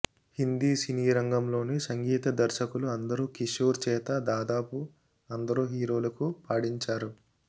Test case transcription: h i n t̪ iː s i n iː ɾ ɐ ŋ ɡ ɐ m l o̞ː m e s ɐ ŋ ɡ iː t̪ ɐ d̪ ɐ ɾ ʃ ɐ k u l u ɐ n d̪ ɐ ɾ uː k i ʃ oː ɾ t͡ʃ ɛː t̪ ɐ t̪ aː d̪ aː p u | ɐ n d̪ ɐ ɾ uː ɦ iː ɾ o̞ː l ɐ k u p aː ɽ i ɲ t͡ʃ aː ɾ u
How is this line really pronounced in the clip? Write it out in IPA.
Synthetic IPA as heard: h i n d̪ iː s i n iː ɾ ɐ ŋ ɡ ɐ m l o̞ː n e s ɐ ŋ ɡ iː t̪ ɐ d̪ ɐ ɾ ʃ ɐ k u l u ɐ n d̪ ɐ ɾ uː k i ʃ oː ɾ t͡ʃ ɛː t̪ ɐ d̪ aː d̪ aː p u | ɐ n d̪ ɐ ɾ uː ɦ iː ɾ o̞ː l ɐ k u p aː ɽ i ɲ t͡ʃ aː ɾ u